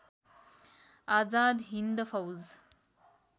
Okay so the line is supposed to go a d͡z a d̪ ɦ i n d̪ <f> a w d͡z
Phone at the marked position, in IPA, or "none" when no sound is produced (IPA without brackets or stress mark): f